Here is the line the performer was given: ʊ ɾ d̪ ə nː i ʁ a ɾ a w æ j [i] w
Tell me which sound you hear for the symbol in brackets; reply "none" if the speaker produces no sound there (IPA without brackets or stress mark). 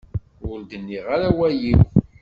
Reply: i